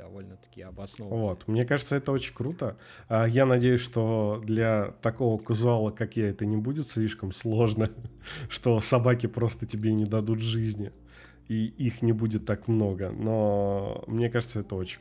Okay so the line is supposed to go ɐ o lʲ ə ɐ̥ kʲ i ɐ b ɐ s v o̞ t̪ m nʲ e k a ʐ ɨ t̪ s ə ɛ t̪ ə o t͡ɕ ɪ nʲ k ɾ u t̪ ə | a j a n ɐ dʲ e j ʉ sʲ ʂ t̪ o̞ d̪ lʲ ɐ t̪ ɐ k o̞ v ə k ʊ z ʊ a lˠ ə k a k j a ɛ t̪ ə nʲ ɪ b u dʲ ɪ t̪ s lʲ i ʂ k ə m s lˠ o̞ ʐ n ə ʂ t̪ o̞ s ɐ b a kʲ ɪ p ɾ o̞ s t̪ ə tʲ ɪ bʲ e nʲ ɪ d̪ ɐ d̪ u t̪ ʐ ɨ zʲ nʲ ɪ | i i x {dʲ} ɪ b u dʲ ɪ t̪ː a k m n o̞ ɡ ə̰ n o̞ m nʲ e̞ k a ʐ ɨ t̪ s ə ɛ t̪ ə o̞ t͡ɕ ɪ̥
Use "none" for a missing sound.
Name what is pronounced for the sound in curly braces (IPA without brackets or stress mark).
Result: nʲ